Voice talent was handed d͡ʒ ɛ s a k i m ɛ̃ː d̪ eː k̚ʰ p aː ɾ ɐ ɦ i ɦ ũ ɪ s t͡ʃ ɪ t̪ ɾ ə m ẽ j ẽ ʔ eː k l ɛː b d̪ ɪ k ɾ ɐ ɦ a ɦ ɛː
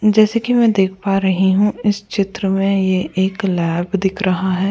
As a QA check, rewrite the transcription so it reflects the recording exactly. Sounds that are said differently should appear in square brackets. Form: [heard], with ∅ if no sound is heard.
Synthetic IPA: d͡ʒ [ɛː] s [e] k i m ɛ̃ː d̪ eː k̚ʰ p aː ɾ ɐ ɦ i ɦ ũ ɪ s t͡ʃ ɪ t̪ ɾ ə m ẽ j [e] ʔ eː k l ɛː b d̪ ɪ [kʰ] ɾ ɐ ɦ a ɦ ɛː